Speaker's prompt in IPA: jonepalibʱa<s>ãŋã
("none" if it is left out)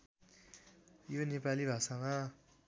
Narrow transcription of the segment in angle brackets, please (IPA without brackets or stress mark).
s